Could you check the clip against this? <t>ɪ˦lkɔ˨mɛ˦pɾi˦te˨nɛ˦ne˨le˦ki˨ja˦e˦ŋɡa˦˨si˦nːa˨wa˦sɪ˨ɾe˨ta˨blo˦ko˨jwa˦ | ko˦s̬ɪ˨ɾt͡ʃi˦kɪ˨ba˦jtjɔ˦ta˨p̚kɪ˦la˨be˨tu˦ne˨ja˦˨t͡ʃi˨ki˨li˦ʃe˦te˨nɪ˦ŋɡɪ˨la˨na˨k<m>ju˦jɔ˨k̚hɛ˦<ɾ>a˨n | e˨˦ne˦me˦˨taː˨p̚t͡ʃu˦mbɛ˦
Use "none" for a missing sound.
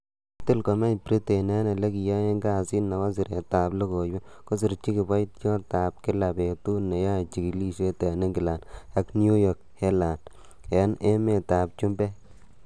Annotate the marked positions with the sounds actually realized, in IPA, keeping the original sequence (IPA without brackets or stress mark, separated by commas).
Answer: t, n, l